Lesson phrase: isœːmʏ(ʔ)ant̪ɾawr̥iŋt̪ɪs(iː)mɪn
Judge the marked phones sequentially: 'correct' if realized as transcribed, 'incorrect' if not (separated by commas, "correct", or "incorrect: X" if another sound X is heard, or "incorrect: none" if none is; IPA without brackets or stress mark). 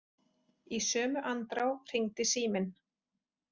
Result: correct, correct